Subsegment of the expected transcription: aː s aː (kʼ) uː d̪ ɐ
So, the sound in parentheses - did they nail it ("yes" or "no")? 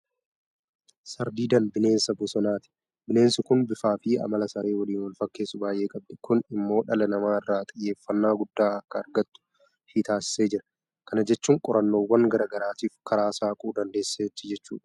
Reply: yes